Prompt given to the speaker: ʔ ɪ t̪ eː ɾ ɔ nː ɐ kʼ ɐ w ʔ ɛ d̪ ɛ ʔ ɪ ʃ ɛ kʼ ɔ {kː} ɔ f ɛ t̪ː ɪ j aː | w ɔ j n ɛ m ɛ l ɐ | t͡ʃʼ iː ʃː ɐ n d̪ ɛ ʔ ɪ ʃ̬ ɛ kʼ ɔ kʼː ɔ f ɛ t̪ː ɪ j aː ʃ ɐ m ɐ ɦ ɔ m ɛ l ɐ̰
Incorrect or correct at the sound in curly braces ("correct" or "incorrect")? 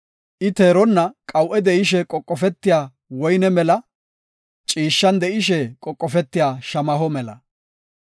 incorrect